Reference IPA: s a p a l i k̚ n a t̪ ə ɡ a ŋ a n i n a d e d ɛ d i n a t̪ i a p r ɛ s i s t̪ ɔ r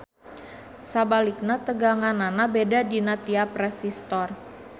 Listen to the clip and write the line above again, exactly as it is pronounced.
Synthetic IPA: s a b a l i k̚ n a t̪ ə ɡ a ŋ a n a n a b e d a d i n a t̪ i a p r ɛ s i s t̪ ɔ r